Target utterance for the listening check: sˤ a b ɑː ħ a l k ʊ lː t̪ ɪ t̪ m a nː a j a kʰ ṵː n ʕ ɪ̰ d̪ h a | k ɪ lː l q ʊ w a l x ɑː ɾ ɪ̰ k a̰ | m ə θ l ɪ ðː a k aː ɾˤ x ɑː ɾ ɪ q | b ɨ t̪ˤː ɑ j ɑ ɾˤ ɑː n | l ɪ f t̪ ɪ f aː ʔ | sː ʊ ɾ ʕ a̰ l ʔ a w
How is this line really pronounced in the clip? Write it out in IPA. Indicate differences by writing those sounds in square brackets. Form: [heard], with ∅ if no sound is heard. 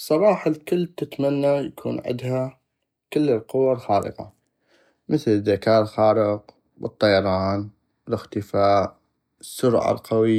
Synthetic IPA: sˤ [ɑ] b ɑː ħ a l k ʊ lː t̪ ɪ t̪ m a nː a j a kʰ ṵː n ʕ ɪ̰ d̪ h a | k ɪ lː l q ʊ w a l x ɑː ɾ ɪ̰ [q] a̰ | m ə θ l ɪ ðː a k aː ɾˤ x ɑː ɾ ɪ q | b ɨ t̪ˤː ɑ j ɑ ɾˤ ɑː n | l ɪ [x] t̪ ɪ f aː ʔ | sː ʊ ɾ ʕ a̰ l [q] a w